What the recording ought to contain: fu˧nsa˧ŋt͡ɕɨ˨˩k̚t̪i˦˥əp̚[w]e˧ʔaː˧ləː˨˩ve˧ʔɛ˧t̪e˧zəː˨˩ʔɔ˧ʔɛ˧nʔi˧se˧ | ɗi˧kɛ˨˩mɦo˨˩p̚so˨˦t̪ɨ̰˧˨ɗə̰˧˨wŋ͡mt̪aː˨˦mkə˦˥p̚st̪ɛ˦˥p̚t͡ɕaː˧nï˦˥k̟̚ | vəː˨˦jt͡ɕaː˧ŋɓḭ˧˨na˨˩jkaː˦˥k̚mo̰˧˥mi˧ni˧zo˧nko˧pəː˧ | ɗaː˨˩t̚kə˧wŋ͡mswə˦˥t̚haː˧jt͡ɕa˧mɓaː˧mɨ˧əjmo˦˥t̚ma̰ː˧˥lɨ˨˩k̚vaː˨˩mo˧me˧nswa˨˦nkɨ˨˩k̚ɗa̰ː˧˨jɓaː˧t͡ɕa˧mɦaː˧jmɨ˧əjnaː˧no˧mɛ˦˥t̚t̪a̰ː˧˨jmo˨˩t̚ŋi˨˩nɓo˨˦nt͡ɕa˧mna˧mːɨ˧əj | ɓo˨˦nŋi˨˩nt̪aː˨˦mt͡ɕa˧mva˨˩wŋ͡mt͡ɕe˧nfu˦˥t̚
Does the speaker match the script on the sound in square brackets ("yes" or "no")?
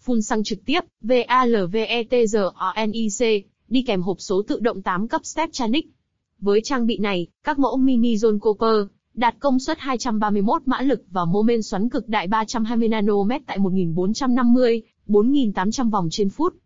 no